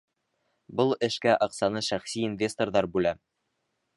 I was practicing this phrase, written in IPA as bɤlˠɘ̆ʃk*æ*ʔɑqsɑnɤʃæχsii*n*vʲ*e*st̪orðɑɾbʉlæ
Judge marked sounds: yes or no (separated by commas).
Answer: yes, yes, yes